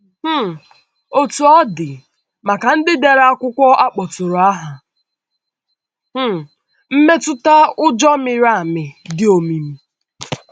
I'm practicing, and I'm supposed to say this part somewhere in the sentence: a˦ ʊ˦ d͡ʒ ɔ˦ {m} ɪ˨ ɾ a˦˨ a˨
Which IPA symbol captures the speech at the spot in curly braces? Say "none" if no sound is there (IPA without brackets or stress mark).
m